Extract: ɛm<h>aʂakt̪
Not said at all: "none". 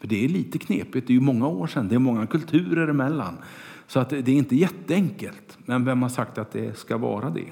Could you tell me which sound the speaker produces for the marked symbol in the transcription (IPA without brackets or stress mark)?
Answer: h